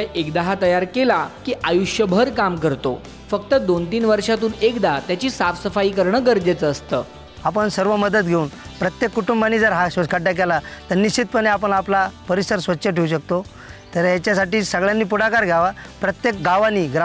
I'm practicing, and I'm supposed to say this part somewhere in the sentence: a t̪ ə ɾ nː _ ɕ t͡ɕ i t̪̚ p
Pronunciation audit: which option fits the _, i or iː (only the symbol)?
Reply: i